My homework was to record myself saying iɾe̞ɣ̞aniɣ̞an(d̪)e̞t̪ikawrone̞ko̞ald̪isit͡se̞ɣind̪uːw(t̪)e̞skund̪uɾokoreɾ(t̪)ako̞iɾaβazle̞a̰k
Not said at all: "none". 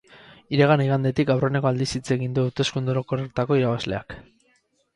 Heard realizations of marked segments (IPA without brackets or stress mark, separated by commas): d̪, t̪, t̪